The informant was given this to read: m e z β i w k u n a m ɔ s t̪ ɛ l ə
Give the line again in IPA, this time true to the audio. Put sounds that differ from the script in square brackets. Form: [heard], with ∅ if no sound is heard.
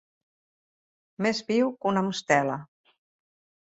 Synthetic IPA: m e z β i w k u n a m [u] s t̪ ɛ l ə